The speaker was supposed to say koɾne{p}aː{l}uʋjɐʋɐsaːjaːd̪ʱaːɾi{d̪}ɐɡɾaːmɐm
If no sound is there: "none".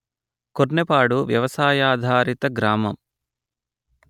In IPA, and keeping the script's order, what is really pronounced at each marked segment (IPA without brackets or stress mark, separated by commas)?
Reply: p, ɽ, t̪